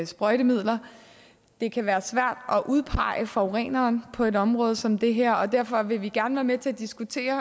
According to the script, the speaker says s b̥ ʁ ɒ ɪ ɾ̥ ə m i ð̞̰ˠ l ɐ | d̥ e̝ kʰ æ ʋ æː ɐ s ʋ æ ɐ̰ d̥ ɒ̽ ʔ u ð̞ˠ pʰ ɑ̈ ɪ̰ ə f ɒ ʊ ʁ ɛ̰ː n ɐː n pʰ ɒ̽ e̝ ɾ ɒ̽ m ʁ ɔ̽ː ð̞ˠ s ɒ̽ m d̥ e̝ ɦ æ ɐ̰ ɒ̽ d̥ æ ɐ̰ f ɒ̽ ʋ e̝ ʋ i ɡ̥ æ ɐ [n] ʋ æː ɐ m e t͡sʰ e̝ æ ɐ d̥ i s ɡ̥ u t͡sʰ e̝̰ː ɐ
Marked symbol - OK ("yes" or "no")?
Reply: yes